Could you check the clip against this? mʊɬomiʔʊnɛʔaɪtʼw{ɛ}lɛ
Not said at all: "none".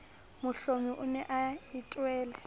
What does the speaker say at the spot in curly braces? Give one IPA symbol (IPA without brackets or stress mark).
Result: ɛː